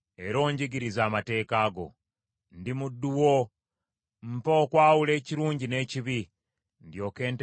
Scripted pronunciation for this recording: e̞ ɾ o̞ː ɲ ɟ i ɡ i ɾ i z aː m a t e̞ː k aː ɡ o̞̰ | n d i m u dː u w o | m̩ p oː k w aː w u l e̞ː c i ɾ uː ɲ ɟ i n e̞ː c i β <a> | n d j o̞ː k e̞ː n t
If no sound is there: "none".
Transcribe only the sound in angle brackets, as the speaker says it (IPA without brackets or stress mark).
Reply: i